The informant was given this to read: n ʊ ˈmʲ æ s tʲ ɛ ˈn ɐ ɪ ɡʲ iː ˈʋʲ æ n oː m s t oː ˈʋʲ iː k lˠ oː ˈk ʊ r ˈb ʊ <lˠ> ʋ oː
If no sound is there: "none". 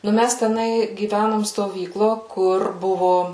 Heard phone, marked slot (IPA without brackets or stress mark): none